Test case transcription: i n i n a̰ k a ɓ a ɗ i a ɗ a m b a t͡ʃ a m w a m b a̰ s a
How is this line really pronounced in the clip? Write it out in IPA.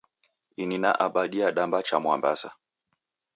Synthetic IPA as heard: i n i n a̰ ʔ a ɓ a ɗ i a ɗ a m b a t͡ʃ a m w a m b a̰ s a